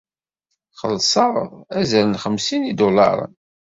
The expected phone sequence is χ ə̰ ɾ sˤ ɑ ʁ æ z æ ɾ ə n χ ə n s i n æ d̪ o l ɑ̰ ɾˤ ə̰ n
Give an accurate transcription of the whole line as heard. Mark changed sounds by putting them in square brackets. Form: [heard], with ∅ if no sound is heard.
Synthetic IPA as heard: χ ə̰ [l] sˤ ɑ ʁ æ z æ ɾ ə n χ ə [m] s i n [i] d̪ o l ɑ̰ ɾˤ ə̰ n